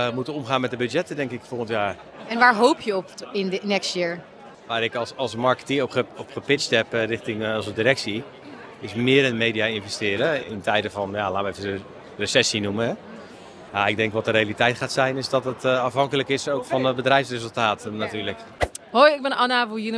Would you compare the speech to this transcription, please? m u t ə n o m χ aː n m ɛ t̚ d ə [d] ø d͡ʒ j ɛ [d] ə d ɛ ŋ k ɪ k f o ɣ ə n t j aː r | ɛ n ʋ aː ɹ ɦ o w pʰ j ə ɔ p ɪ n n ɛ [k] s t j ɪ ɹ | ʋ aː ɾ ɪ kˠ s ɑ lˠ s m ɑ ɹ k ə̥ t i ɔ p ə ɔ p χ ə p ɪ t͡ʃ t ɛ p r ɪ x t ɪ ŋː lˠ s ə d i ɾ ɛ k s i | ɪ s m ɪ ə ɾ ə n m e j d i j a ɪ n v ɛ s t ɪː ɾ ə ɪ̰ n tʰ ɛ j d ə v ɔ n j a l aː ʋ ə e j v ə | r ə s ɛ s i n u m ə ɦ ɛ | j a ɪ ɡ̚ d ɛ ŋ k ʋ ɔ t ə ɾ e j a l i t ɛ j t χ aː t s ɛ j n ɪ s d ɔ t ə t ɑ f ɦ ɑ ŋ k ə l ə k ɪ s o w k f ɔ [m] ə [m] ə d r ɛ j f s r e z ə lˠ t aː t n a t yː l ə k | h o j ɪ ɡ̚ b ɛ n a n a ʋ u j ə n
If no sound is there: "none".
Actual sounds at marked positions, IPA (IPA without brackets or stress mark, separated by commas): b, t, k, n, b